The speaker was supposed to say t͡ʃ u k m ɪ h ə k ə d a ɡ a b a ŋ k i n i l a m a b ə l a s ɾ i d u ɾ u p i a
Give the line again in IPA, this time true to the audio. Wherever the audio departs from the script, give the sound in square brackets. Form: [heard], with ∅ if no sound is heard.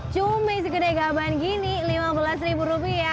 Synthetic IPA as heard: t͡ʃ u [∅] m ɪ [s] ə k ə d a ɡ a b a [n] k i n i l [i] m a b ə l a s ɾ i [b] u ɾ u p i a